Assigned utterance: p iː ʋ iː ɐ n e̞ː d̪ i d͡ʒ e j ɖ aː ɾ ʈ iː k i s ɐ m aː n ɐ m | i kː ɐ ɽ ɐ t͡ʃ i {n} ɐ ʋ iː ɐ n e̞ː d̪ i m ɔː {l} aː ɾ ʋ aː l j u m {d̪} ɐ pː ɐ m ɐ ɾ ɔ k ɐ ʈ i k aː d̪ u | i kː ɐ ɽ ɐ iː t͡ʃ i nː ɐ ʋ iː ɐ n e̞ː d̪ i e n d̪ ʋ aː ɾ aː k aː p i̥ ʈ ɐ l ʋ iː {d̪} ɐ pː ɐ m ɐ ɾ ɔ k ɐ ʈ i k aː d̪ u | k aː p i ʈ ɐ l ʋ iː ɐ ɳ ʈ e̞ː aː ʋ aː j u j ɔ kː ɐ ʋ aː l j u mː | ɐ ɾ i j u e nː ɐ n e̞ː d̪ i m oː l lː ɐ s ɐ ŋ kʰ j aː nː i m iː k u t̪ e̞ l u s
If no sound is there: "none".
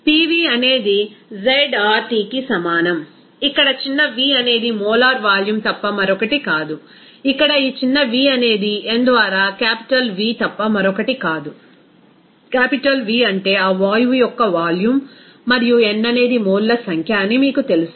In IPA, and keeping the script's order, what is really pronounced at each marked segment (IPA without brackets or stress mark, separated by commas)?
nː, l, t̪, t̪